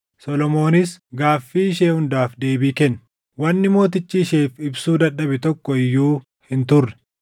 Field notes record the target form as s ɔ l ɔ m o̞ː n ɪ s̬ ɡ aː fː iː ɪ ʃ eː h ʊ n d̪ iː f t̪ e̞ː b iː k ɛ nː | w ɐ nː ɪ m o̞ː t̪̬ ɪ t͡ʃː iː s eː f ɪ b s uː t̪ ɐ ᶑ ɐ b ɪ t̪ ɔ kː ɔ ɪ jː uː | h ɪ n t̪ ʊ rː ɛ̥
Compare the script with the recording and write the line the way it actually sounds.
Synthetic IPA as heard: s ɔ l ɔ m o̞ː n ɪ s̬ ɡ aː fː iː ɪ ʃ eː h ʊ n d̪ aː f d̪ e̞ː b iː k ɛ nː | w ɐ nː ɪ m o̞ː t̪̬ ɪ t͡ʃː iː ʃ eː f ɪ b s uː d̪ ɐ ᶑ ɐ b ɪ t̪ ɔ kː ɔ ɪ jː uː | h ɪ n t̪ ʊ rː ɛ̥

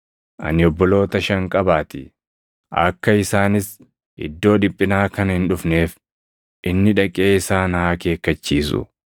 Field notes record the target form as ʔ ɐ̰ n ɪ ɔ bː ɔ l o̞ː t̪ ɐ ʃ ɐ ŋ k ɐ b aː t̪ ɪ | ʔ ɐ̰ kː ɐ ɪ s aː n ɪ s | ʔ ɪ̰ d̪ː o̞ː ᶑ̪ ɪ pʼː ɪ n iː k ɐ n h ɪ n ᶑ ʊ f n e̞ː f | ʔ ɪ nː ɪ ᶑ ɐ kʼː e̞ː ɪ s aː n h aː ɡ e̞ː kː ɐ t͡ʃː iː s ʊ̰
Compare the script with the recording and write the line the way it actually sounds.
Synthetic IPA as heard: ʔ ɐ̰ n ɪ ɔ bː ɔ l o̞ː t̪ ɐ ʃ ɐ ŋ kʼ ɐ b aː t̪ ɪ | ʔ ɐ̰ kː ɐ ɪ s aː n ɪ s | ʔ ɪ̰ d̪ː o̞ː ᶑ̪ ɪ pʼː ɪ n aː k ɐ n h ɪ n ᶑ ʊ f n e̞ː f | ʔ ɪ nː ɪ ᶑ ɐ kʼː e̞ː ɪ s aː n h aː k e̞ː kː ɐ t͡ʃː iː s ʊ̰

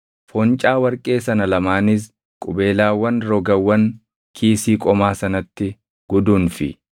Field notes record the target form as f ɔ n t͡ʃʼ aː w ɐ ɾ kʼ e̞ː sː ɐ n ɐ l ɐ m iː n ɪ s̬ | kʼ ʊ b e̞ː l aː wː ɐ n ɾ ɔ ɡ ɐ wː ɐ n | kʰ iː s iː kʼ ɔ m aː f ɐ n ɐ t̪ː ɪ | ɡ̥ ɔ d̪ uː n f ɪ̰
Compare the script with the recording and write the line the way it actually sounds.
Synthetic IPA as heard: f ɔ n t͡ʃʼ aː w ɐ ɾ kʼ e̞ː s ɐ n ɐ l ɐ m aː n ɪ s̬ | kʼ ʊ b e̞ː l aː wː ɐ n ɾ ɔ ɡ ɐ wː ɐ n | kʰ iː s iː kʼ ɔ m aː s ɐ n ɐ t̪ː ɪ | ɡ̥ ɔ d̪ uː n f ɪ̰

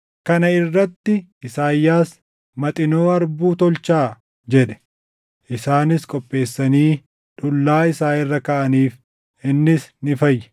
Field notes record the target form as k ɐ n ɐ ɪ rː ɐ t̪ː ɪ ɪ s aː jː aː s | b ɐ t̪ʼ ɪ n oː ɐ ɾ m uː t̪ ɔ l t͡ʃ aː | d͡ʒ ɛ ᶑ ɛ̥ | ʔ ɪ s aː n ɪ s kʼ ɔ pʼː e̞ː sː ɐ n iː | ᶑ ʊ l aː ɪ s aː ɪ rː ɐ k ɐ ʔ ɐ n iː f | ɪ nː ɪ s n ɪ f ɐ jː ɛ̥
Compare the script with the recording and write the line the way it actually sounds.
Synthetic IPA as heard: k ɐ n ɐ ɪ rː ɐ t̪ː ɪ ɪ s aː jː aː s | m ɐ t̪ʼ ɪ n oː ɐ ɾ b uː t̪ ɔ l t͡ʃ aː | d͡ʒ ɛ ᶑ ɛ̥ | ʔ ɪ s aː n ɪ s kʼ ɔ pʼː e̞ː sː ɐ n iː | ᶑ ʊ lː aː ɪ s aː ɪ rː ɐ k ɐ ʔ ɐ n iː f | ɪ nː ɪ s n ɪ f ɐ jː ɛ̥

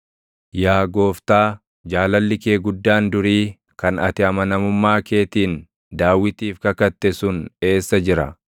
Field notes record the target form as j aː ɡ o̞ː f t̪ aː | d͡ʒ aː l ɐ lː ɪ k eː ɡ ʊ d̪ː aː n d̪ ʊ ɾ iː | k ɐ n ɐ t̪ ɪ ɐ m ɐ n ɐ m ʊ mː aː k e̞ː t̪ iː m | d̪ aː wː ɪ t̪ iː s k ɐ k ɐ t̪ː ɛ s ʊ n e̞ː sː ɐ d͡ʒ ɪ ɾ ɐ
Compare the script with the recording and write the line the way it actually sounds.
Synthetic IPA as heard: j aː ɡ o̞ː f t̪ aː | d͡ʒ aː l ɐ lː ɪ k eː ɡ ʊ d̪ː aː n d̪ ʊ ɾ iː | k ɐ n ɐ t̪ ɪ ɐ m ɐ n ɐ m ʊ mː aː k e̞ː t̪ iː n | d̪ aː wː ɪ t̪ iː f k ɐ k ɐ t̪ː ɛ s ʊ n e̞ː sː ɐ d͡ʒ ɪ ɾ ɐ

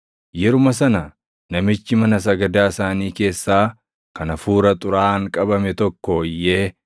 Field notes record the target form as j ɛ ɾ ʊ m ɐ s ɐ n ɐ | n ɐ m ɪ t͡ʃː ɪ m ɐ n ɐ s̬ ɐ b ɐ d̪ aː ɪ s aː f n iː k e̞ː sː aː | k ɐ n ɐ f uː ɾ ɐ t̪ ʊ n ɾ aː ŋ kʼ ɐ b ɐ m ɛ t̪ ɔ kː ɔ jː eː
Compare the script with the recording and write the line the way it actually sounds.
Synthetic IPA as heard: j ɛ ɾ ʊ m ɐ s ɐ n ɐ | n ɐ m ɪ t͡ʃː ɪ m ɐ n ɐ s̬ ɐ ɡ ɐ d̪ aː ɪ s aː n iː k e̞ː sː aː | k ɐ n ɐ f uː ɾ ɐ t̪ʼ ʊ ɾ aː ŋ kʼ ɐ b ɐ m ɛ t̪ ɔ kː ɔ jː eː

